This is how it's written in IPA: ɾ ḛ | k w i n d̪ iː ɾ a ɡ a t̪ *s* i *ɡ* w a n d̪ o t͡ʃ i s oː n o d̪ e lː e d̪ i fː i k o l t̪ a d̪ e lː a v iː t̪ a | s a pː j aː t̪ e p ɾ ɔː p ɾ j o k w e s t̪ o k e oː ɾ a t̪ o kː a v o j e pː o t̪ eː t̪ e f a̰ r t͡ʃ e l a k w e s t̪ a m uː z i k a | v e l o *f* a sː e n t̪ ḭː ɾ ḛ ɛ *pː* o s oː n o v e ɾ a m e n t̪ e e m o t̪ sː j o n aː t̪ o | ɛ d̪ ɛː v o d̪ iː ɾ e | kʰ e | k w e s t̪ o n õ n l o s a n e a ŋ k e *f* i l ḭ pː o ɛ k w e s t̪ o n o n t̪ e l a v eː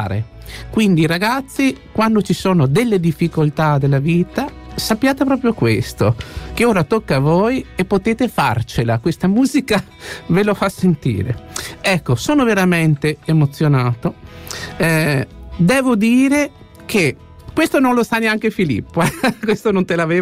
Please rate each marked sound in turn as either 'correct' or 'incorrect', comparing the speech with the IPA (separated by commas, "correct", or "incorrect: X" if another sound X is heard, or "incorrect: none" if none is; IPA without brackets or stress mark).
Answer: incorrect: sː, incorrect: k, correct, incorrect: kː, correct